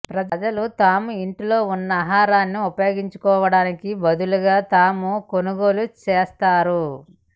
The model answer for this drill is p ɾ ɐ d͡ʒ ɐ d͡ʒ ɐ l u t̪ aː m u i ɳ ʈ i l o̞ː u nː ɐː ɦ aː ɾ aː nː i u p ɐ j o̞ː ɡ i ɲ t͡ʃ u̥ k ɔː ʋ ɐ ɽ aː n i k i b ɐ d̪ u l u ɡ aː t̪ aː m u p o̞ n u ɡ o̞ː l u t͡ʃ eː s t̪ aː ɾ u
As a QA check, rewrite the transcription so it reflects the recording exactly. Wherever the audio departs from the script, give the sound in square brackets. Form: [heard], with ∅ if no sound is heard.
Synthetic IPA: p ɾ ɐ d͡ʒ ɐ d͡ʒ ɐ l u t̪ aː m u i ɳ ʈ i l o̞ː u nː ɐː ɦ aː ɾ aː nː i u p ɐ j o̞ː ɡ i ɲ t͡ʃ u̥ k ɔː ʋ ɐ ɽ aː n i k i b ɐ d̪ u l u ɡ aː t̪ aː m u [k] o̞ n u ɡ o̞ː l u t͡ʃ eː s t̪ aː ɾ u